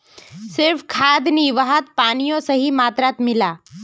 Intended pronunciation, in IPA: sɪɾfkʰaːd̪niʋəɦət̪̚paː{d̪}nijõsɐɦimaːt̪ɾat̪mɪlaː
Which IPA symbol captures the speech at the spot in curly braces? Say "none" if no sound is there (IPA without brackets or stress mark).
none